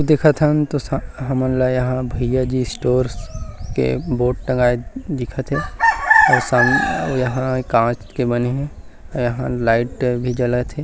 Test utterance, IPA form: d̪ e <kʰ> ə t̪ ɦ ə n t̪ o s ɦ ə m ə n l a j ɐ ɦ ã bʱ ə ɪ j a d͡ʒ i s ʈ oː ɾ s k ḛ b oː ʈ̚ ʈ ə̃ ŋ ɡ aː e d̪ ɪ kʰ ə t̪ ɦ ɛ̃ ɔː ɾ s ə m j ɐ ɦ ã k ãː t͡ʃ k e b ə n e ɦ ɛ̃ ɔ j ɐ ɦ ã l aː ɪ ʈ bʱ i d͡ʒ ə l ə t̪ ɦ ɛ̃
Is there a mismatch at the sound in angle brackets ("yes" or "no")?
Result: no